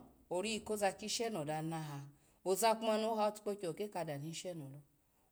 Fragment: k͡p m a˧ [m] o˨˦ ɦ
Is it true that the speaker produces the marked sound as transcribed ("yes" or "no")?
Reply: no